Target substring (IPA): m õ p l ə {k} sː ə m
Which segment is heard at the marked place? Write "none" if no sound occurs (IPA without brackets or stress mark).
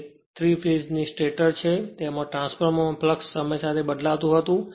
k